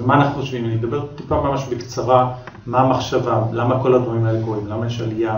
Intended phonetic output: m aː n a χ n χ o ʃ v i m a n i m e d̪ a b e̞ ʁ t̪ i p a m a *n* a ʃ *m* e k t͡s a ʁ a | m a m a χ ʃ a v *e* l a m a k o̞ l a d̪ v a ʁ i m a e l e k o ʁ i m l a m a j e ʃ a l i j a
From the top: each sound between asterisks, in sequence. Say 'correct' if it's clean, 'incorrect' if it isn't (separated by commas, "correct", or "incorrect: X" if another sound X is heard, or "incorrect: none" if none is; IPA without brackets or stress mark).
incorrect: m, incorrect: b, incorrect: a